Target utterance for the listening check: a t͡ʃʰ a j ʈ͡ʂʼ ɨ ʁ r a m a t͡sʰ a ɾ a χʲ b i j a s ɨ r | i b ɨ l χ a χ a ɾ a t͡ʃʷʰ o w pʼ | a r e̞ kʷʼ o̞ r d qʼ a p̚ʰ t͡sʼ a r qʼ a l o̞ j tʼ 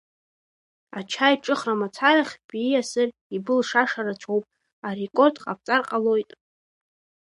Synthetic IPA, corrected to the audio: a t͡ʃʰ a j ʈ͡ʂʼ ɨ χ r a m a t͡sʰ a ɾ a χʲ b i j a s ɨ r | i b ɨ l ʂ a ʂ a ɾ a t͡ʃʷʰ o w pʼ | a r e̞ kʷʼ o̞ r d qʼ a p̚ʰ t͡sʼ a r qʼ a l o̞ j tʼ